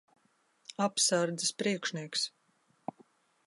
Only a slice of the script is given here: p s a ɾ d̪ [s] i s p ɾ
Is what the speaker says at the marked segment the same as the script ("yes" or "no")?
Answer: no